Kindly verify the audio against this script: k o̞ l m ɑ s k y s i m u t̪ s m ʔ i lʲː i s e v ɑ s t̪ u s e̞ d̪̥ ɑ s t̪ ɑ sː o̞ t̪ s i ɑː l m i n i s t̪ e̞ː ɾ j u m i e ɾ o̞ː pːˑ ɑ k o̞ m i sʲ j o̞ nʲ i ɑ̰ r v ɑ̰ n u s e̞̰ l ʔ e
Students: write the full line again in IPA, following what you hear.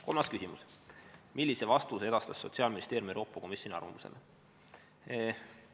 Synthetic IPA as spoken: k o̞ l m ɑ s k y s i m u s m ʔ i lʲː i s e v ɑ s t̪ u s e̞ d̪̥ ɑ s t̪ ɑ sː o̞ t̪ s i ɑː l m i n i s t̪ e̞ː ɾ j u m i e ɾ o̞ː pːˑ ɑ k o̞ m i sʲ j o̞ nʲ i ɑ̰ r v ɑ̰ m u s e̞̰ l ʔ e